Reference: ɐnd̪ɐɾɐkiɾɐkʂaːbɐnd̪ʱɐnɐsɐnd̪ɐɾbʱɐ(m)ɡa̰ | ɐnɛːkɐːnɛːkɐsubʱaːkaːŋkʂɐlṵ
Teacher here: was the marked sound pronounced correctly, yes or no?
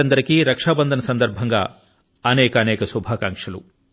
no